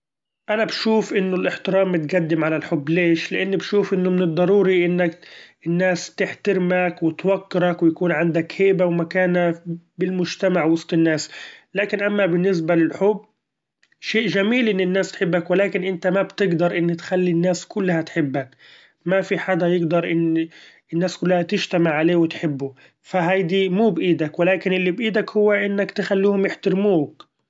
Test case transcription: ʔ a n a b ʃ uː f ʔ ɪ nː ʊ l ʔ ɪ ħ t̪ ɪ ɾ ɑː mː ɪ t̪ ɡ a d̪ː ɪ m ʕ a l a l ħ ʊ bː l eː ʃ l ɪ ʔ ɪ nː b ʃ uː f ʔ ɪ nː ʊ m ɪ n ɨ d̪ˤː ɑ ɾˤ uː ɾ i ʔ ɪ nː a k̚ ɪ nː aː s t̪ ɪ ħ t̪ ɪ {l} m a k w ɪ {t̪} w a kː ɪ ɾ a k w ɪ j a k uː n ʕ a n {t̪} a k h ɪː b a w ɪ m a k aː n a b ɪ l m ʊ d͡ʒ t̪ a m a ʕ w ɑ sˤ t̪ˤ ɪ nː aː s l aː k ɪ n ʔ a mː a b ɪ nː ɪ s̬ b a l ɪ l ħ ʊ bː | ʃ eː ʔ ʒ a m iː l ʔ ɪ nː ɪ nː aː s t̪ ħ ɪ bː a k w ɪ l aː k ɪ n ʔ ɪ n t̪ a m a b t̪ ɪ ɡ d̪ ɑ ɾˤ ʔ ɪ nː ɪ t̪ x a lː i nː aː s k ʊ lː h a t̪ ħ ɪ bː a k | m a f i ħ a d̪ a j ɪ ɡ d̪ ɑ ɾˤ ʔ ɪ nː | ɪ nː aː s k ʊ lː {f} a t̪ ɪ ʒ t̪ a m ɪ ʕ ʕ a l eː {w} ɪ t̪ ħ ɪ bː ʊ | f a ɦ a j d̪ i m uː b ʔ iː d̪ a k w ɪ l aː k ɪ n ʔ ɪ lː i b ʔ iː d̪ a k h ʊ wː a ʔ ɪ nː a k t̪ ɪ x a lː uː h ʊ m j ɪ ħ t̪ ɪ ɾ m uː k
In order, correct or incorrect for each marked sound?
incorrect: ɾ, correct, incorrect: d̪, incorrect: h, correct

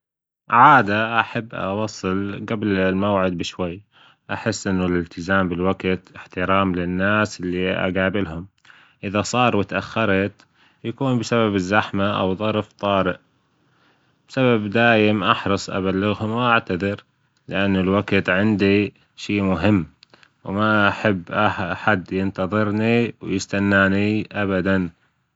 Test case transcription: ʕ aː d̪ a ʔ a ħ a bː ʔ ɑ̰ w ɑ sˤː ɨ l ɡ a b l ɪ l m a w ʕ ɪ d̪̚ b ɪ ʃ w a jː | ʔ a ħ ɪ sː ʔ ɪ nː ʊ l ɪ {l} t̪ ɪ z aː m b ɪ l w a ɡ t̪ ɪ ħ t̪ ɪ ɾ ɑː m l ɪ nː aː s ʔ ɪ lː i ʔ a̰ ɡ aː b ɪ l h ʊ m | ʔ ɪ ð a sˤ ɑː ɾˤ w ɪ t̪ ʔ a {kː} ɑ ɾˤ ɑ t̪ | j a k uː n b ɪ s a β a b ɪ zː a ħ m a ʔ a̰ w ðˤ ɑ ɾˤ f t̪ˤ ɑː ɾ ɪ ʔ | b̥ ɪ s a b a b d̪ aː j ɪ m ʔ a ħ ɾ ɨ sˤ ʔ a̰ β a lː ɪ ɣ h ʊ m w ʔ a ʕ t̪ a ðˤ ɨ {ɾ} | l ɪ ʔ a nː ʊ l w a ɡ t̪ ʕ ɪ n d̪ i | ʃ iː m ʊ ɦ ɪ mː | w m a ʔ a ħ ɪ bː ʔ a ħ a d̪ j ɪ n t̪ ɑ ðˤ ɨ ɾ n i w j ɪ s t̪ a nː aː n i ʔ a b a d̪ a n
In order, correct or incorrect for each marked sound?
correct, incorrect: xː, correct

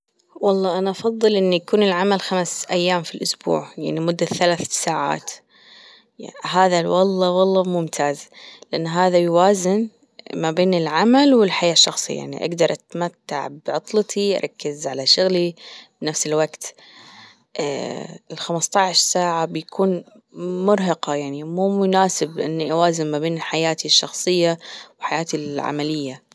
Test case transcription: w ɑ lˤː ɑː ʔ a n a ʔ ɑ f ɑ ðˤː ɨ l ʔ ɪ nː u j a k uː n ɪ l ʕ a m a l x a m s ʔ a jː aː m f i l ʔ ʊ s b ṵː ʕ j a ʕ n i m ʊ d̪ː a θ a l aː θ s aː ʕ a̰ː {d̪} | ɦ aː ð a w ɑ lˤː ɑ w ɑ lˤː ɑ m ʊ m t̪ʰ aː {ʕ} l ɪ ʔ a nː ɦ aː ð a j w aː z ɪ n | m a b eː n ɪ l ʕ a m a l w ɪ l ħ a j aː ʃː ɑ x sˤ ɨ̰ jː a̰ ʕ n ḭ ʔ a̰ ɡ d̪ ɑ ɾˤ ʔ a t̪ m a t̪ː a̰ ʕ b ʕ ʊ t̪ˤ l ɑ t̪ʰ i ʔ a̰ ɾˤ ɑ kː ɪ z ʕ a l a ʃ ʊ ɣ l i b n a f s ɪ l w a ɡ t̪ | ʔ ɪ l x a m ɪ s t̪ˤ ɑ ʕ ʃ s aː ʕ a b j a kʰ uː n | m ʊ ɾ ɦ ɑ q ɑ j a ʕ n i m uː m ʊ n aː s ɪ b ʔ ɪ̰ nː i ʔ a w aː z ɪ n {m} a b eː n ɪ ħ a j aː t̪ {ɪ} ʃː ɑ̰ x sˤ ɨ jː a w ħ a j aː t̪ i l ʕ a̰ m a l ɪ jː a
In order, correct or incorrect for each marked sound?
incorrect: t̪, incorrect: z, correct, incorrect: i

